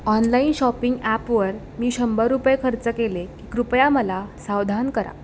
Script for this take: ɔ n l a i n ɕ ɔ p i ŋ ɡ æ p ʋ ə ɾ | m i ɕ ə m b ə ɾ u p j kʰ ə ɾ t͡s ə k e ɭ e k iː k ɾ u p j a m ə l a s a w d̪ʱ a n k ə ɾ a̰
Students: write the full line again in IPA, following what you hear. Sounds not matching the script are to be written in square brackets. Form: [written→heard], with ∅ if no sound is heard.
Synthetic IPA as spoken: ɔ n l a i n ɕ ɔ p i ŋ ɡ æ p ʋ ə ɾ | m [i→iː] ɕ ə m b ə ɾ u p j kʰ ə ɾ t͡s ə k e [ɭ→l] e k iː k ɾ u p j a m ə l a s a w d̪ʱ a n k ə ɾ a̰

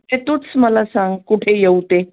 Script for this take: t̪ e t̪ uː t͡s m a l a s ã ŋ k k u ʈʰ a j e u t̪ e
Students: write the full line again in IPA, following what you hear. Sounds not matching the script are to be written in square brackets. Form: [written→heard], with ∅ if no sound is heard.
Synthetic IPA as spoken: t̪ e t̪ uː t͡s m [a→ə] l a s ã ŋ [k→ɡ] k u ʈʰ [a→e] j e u t̪ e

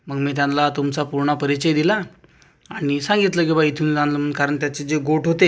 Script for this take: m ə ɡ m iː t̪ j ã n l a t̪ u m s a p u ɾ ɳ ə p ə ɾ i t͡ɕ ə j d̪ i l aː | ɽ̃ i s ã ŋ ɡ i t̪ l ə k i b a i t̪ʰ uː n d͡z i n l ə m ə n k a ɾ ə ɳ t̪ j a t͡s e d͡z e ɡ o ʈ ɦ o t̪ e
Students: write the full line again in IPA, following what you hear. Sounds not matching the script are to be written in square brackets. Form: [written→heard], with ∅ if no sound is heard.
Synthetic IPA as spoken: m ə ɡ m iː t̪ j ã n l a t̪ u m [s→t͡s] a p u ɾ ɳ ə p ə ɾ i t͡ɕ ə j d̪ i l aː | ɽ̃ i s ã ŋ ɡ i t̪ l ə k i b a i t̪ʰ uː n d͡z [i→a] n l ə m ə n k a ɾ ə ɳ t̪ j a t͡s e d͡z e ɡ o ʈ ɦ o t̪ e

